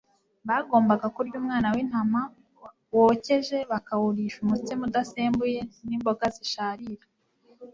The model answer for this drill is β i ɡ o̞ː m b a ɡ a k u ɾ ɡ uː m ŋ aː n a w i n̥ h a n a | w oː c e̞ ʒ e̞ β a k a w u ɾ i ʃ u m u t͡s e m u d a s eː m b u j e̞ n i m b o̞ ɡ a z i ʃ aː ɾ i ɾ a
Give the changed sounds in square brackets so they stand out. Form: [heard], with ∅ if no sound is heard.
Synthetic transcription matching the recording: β [a] ɡ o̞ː m b a ɡ a k u ɾ [ɟ] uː m ŋ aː n a w i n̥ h a [m] a | w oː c e̞ ʒ e̞ β a k a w u ɾ i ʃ u m u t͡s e m u d a s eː m b u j e̞ n i m b o̞ ɡ a z i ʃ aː ɾ i ɾ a